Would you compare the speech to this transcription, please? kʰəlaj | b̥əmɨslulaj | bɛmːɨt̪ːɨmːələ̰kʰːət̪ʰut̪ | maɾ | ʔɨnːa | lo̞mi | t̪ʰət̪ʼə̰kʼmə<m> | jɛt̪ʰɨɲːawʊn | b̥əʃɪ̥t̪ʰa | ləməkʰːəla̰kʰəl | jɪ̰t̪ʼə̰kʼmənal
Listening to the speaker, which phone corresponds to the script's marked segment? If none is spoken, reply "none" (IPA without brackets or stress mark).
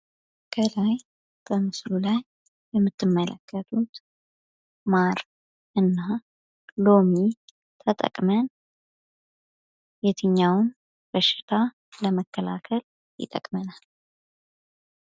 n